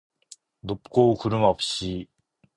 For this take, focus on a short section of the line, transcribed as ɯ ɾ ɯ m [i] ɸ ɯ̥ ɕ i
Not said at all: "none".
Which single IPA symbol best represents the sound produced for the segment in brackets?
a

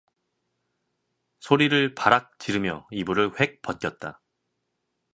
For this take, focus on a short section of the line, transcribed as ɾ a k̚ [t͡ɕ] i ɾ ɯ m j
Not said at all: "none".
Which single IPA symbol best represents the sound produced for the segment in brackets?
t͡ɕ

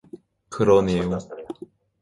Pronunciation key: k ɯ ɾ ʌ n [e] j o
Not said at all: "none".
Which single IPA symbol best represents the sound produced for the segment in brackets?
e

